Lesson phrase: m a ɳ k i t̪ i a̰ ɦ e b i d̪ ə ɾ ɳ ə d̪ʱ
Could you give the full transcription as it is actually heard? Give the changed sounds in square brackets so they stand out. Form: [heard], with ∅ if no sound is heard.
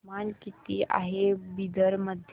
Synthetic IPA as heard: m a [n] k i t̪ i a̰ ɦ e b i d̪ ə ɾ [m] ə d̪ʱ